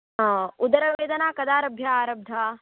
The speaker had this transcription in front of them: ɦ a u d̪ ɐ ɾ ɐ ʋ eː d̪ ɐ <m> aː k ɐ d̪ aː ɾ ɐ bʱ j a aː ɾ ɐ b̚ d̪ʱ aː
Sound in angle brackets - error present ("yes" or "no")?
yes